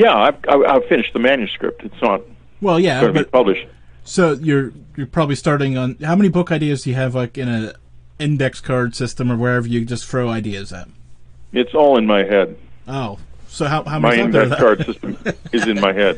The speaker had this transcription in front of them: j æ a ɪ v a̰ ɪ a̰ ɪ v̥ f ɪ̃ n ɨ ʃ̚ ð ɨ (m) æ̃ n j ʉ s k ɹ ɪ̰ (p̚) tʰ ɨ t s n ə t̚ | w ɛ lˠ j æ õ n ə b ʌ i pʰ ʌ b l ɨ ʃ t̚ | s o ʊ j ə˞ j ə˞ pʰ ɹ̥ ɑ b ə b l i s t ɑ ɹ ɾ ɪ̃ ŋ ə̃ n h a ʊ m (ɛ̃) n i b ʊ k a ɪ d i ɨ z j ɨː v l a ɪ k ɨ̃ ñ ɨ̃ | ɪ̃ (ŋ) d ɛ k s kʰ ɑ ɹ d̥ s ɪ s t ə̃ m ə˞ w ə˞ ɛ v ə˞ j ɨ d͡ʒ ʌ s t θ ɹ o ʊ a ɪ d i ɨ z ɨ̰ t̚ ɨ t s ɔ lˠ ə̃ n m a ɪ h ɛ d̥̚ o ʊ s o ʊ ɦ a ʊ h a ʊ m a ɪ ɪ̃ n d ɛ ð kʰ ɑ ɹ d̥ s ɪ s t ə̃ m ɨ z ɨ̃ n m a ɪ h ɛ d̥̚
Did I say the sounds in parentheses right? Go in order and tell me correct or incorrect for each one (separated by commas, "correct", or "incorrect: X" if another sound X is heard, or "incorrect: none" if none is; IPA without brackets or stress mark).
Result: correct, correct, incorrect: ɛ, incorrect: n